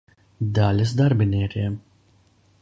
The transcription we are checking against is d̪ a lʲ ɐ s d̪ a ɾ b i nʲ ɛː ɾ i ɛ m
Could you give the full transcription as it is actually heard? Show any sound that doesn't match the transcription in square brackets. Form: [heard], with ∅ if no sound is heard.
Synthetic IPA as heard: d̪ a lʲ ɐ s d̪ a ɾ b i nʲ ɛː ɾ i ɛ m